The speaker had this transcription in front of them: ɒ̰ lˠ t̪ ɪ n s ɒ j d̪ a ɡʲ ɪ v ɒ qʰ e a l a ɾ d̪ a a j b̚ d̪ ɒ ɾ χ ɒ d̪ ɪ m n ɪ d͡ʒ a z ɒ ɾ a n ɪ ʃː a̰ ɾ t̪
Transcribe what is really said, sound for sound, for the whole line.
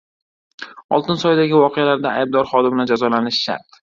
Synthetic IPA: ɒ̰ lˠ t̪ ɪ n s ɒ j d̪ a ɡʲ ɪ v ɒ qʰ e a l a ɾ d̪ a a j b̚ d̪ ɒ ɾ χ ɒ d̪ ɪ m n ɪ d͡ʒ a z ɒ l a n ɪ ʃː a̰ ɾ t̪